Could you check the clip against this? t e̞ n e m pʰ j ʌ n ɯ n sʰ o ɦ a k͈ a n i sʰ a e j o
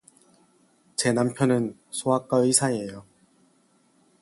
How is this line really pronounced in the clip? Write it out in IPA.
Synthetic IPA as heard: t͡ɕ e̞ n a m pʰ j ʌ n ɯ n sʰ o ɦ a k͈ a i sʰ a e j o

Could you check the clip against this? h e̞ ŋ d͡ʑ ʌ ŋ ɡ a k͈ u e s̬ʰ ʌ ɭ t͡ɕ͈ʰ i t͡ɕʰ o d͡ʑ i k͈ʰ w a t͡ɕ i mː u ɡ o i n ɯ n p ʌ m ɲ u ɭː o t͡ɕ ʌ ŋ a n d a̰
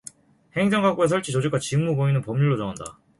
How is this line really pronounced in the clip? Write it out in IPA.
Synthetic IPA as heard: h e̞ ŋ d͡ʑ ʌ ŋ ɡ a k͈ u e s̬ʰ ʌ ɭ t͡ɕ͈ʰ i t͡ɕ o d͡ʑ i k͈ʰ w a t͡ɕ i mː u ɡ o i n ɯ n p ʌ m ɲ u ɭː o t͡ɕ ʌ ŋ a n d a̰

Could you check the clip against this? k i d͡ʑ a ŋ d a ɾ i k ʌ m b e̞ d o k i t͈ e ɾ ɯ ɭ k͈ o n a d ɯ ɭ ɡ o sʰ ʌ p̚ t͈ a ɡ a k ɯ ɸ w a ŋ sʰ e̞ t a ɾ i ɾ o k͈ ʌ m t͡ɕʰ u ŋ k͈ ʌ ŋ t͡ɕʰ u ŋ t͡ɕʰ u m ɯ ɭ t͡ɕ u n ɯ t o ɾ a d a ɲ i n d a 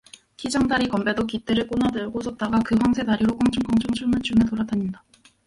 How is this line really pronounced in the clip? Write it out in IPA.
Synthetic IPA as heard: k i d͡ʑ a ŋ d a ɾ i k ʌ m b e̞ d o k i t͈ e ɾ ɯ ɭ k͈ o n a d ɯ ɭ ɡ o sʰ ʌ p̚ t͈ a ɡ a k ɯ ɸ w a ŋ sʰ e̞ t a ɾ i ɾ o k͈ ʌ ŋ t͡ɕʰ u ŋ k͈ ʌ ŋ t͡ɕʰ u ŋ t͡ɕʰ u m ɯ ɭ t͡ɕ u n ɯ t o ɾ a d a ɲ i n d a

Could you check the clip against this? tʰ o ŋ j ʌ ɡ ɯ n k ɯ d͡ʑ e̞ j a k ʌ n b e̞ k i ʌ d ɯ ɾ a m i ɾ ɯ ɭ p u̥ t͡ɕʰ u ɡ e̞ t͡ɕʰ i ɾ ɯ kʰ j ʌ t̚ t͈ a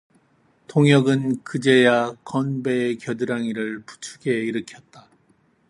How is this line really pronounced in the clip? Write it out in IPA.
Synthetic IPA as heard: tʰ o ŋ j ʌ ɡ ɯ n k ɯ d͡ʑ e̞ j a k ʌ n b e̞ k j ʌ d ɯ ɾ a ŋ i ɾ ɯ ɭ p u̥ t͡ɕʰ u ɡ e̞ i ɾ ɯ kʰ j ʌ t̚ t͈ a

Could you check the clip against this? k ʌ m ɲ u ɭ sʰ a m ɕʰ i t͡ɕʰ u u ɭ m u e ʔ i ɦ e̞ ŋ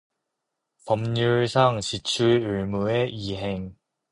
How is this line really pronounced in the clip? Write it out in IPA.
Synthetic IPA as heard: p ʌ m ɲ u ɭ sʰ a ŋ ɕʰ i t͡ɕʰ u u ɭ m u e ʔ i ɦ e̞ ŋ

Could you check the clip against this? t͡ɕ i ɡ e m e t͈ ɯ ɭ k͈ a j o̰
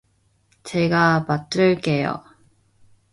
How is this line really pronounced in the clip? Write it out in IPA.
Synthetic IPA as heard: t͡ɕ e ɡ a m a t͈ ɯ ɭ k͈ e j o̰

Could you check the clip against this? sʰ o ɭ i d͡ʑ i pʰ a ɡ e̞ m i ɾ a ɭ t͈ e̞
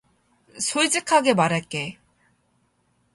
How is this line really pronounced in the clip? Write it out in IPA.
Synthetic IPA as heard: sʰ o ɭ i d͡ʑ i kʰ a ɡ e̞ m a ɾ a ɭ k͈ e̞

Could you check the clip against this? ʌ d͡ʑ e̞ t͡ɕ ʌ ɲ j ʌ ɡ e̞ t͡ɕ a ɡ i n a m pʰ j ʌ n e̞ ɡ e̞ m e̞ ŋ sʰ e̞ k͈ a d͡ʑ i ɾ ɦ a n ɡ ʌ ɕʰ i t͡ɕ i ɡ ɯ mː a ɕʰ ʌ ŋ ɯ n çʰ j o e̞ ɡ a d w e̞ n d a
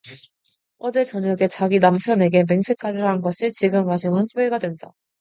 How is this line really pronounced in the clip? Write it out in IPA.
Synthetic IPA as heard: ʌ d͡ʑ e̞ t͡ɕ ʌ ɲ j ʌ ɡ e̞ t͡ɕ a ɡ i n a m pʰ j ʌ n e̞ ɡ e̞ m e̞ ŋ sʰ e̞ k͈ a d͡ʑ i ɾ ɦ a n ɡ ʌ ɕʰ i t͡ɕ i ɡ ɯ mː a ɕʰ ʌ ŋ ɯ n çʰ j o e̞ ɡ a d w e̞ n d a

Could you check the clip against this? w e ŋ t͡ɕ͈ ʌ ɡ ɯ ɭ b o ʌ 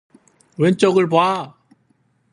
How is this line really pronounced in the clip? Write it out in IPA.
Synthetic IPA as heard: w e n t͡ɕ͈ ʌ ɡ ɯ ɭ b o a

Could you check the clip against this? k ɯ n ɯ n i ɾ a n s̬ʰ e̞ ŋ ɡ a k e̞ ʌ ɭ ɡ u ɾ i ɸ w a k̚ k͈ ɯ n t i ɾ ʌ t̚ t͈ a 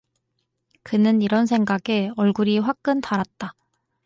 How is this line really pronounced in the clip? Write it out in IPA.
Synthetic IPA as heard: k ɯ n ɯ n i ɾ ʌ n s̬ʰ e̞ ŋ ɡ a ɡ e̞ ʌ ɭ ɡ u ɾ i ɸ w a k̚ k͈ ɯ n t a ɾ a t̚ t͈ a

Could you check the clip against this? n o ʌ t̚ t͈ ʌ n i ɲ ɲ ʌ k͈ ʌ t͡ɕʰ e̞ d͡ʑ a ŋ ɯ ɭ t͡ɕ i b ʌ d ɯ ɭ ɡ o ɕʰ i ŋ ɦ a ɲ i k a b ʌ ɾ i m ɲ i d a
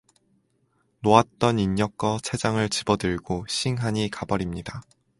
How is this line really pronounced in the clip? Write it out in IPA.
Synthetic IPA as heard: n o a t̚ t͈ ʌ n i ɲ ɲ ʌ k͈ ʌ t͡ɕʰ e̞ d͡ʑ a ŋ ɯ ɭ t͡ɕ i b ʌ d ɯ ɭ ɡ o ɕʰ i ŋ ɦ a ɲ i k a b ʌ ɾ i m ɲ i d a

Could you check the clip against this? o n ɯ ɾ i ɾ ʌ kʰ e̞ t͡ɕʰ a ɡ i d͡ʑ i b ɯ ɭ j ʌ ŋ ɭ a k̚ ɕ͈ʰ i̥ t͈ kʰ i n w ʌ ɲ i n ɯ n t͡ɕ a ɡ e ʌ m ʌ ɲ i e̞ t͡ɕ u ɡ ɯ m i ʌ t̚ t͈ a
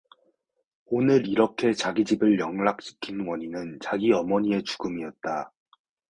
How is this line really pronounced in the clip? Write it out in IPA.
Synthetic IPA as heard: o n ɯ ɾ i ɾ ʌ kʰ e̞ t͡ɕ a ɡ i d͡ʑ i b ɯ ɭ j ʌ ŋ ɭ a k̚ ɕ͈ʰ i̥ kʰ i n w ʌ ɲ i n ɯ n t͡ɕ a ɡ i ʌ m ʌ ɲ i e̞ t͡ɕ u ɡ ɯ m i ʌ t̚ t͈ a

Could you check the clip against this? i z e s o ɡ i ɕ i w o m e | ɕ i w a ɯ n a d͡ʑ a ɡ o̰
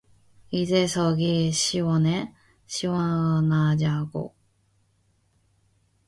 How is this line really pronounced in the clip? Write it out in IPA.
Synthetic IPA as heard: i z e s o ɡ i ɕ i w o n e | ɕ i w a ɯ n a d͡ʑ a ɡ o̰

